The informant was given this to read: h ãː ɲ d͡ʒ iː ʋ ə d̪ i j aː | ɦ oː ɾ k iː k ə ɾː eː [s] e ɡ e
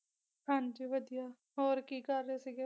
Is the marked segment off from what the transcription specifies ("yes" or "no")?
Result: no